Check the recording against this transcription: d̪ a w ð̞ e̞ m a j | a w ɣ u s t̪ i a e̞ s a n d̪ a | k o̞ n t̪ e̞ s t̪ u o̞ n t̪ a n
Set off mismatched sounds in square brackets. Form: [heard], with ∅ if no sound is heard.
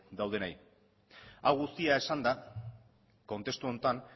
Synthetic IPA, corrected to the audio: d̪ a w ð̞ e̞ [n] a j | a w ɣ u s t̪ i a e̞ s a n d̪ a | k o̞ n t̪ e̞ s t̪ u o̞ n t̪ a n